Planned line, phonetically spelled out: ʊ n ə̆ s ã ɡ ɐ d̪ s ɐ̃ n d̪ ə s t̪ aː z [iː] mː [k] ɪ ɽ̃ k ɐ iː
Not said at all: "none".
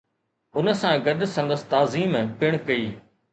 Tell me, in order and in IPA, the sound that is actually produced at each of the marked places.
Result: iː, p

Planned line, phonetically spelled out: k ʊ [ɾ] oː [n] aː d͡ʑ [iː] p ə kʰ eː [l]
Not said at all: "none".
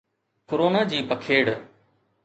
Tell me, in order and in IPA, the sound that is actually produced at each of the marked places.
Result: ɾ, n, iː, ɽ

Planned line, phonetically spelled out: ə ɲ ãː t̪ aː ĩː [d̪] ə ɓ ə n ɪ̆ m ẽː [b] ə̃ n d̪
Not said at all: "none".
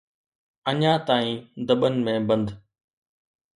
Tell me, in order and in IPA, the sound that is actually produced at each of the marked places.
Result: d̪, b

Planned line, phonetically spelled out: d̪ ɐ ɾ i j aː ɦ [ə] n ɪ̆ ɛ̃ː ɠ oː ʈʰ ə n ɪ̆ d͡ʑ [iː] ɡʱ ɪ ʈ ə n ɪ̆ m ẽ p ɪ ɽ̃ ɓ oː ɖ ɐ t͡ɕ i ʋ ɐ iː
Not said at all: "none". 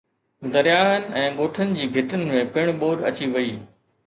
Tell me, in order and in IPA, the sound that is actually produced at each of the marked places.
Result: ə, iː

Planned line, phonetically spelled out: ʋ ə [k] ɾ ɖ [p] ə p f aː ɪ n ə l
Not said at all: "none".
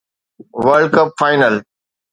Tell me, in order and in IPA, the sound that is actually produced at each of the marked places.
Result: none, k

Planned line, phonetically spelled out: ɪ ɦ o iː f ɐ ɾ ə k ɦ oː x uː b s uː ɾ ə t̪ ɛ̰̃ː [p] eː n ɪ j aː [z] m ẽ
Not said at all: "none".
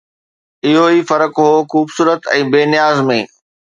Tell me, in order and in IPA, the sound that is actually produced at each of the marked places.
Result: b, z

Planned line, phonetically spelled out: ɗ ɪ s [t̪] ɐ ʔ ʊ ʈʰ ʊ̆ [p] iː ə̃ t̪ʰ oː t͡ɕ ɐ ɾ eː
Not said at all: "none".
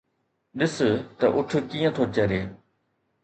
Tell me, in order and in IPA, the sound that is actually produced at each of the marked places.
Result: t̪, k

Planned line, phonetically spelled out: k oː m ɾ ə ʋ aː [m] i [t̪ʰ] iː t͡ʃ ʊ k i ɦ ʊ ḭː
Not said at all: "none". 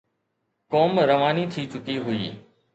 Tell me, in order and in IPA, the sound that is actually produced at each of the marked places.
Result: n, t̪ʰ

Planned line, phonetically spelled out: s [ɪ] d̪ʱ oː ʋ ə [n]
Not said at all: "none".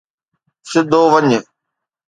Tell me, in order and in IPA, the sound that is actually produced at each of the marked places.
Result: ɪ, ɲ

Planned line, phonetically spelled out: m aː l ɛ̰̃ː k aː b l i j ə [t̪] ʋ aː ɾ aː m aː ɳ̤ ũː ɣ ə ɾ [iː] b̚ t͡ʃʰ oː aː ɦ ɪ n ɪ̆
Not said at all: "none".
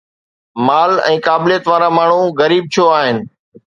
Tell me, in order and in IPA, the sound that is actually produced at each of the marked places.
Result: t̪, iː

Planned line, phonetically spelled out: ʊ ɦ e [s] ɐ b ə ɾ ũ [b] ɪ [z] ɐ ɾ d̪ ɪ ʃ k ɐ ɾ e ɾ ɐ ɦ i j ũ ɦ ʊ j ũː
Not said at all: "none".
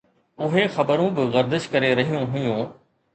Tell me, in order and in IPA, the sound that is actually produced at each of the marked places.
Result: x, b, ɣ

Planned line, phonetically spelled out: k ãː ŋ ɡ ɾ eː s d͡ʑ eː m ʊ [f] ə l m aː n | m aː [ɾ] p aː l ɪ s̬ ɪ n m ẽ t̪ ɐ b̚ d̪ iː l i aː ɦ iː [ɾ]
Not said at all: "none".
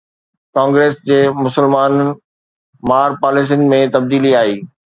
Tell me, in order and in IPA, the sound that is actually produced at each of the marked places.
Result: s, ɾ, none

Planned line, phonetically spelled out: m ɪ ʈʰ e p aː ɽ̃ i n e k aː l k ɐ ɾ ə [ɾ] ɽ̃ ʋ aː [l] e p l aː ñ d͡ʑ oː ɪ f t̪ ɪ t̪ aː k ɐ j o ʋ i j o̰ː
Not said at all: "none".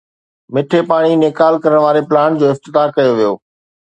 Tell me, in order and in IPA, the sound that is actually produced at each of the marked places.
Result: none, ɾ

